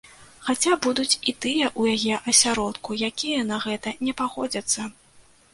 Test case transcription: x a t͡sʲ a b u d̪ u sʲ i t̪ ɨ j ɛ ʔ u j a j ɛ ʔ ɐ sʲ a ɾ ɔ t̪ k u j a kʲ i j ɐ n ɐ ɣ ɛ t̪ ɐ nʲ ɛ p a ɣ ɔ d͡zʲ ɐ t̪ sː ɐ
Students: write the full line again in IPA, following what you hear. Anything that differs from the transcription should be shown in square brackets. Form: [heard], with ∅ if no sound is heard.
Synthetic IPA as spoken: x a t͡sʲ a b u d̪ u [t͡sʲ] i t̪ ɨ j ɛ ʔ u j a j ɛ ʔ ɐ sʲ a ɾ ɔ t̪ k u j a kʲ i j ɐ n ɐ ɣ ɛ t̪ ɐ nʲ ɛ p a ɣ ɔ d͡zʲ ɐ t̪ sː ɐ